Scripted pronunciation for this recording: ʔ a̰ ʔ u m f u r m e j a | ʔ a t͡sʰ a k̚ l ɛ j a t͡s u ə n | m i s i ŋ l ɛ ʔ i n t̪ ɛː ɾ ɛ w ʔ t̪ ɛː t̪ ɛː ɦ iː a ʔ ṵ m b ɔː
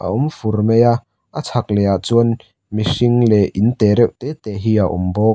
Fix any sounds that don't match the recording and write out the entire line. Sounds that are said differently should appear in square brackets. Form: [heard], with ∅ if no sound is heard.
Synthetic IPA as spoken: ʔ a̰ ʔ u m f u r m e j a | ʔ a t͡sʰ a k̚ l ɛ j a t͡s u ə n | m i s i ŋ l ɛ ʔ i n t̪ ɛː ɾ ɛ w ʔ t̪ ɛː t̪ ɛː ɦ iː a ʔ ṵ m b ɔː